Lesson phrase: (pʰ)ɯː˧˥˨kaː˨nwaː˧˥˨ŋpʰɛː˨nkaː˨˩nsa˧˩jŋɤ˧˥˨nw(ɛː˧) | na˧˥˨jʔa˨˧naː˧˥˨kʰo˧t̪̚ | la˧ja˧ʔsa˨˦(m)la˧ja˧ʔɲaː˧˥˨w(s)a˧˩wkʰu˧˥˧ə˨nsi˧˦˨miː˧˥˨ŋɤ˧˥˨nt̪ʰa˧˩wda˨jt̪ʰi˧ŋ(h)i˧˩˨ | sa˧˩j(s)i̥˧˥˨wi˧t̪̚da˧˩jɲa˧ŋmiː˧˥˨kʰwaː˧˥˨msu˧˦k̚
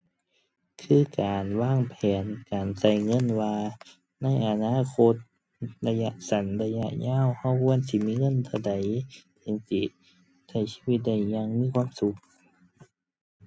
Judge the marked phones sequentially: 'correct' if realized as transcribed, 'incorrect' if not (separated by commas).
incorrect, incorrect, incorrect, incorrect, incorrect, correct